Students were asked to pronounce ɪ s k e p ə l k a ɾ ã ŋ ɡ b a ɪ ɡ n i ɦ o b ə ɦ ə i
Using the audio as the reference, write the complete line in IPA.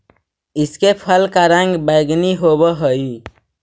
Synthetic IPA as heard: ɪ s k e pʰ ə l k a ɾ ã ŋ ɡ b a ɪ ɡ n i ɦ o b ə ɦ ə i